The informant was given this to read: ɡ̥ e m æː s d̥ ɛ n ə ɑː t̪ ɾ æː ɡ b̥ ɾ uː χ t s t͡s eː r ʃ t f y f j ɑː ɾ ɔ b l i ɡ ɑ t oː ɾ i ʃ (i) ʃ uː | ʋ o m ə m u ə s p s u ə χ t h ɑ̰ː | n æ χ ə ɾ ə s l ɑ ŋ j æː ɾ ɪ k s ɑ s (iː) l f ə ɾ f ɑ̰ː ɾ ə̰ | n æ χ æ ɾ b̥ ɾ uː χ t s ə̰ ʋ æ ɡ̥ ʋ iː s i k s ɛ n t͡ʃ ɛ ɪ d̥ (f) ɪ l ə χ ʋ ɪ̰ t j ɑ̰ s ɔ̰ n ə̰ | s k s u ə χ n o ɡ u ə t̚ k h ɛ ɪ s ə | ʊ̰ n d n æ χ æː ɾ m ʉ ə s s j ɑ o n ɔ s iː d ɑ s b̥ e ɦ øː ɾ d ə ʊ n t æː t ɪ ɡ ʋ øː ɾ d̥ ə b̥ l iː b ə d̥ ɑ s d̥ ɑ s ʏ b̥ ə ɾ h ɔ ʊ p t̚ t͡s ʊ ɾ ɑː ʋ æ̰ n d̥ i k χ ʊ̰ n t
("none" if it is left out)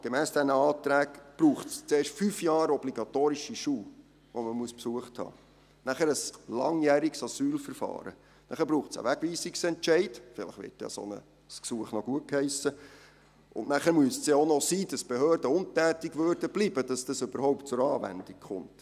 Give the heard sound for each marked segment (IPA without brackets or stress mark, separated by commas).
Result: i, yː, f